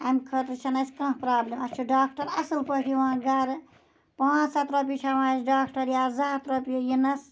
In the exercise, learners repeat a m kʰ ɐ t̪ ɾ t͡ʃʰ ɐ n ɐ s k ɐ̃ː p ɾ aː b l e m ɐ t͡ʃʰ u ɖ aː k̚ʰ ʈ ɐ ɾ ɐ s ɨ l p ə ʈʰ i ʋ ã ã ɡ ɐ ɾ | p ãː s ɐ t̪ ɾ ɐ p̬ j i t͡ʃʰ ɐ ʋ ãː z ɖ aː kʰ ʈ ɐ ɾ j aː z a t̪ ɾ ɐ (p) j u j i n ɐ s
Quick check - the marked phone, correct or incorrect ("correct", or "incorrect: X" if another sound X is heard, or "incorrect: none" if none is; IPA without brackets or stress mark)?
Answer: correct